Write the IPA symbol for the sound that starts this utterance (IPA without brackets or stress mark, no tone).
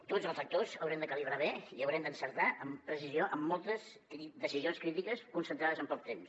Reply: t̪